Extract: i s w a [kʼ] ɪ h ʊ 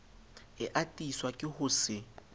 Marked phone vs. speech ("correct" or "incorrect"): correct